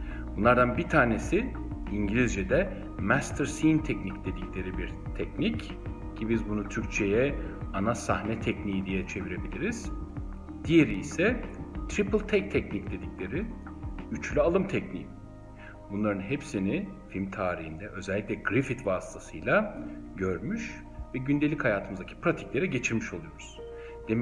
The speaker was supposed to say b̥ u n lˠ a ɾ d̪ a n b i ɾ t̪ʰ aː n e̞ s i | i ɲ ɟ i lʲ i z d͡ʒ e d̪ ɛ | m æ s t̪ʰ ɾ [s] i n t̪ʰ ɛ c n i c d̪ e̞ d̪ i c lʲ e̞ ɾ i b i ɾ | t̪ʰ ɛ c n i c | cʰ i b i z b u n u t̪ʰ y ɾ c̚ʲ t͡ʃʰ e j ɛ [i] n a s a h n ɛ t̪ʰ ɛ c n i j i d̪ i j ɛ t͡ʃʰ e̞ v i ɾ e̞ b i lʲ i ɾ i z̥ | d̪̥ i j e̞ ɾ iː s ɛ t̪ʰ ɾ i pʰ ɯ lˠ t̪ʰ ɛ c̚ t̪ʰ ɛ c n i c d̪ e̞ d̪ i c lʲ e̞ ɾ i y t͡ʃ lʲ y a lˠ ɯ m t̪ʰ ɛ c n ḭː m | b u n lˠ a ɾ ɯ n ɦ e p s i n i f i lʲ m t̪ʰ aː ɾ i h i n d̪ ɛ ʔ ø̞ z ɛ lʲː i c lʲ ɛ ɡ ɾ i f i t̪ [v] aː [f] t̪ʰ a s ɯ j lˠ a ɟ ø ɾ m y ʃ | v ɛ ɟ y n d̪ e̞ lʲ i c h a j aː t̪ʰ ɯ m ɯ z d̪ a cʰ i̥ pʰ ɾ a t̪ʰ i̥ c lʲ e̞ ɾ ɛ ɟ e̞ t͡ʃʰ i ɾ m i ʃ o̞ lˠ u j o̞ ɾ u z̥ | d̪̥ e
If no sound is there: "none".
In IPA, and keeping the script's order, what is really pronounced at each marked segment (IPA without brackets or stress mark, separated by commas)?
s, a, v, s